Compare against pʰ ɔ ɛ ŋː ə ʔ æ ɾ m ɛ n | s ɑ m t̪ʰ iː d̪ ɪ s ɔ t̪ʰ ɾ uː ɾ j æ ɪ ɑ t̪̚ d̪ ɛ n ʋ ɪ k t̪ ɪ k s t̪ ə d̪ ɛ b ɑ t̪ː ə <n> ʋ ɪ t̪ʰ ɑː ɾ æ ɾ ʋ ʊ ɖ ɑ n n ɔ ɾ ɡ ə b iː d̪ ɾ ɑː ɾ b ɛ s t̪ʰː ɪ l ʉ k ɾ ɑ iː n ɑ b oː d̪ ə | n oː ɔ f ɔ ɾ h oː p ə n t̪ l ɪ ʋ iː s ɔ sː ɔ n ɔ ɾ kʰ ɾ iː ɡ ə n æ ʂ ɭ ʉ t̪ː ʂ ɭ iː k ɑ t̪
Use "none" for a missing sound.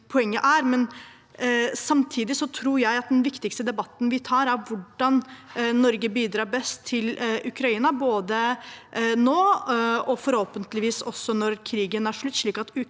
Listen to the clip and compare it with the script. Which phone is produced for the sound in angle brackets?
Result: n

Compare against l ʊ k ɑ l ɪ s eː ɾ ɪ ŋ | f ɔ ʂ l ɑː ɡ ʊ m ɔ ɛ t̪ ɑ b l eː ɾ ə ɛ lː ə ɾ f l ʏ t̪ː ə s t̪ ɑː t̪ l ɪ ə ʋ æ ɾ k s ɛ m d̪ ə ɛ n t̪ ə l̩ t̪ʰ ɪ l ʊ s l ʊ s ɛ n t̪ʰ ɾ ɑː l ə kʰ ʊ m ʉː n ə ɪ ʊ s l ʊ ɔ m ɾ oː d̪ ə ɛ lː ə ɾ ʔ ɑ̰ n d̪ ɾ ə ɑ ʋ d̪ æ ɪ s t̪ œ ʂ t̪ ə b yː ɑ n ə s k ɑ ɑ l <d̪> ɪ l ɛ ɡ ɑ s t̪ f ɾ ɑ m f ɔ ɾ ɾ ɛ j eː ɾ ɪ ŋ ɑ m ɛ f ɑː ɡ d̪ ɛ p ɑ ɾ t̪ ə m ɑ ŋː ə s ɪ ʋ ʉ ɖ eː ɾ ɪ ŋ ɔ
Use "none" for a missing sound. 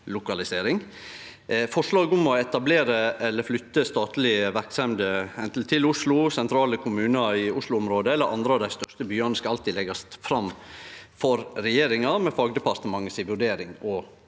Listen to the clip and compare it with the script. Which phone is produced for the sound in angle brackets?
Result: t̪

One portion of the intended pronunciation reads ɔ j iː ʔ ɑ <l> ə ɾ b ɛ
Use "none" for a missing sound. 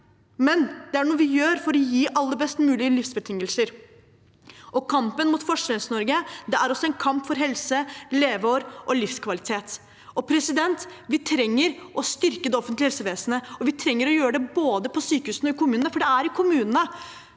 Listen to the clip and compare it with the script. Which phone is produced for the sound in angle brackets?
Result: lː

